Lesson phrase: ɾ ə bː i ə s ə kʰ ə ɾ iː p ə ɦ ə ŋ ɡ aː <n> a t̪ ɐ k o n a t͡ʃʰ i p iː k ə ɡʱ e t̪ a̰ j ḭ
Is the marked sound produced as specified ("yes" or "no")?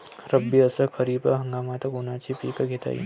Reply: no